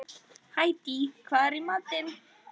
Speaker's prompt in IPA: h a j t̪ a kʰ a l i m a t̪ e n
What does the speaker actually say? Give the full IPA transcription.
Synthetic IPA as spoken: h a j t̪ i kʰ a ɾ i m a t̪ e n